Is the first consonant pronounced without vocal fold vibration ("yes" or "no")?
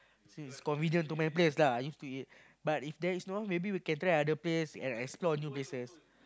yes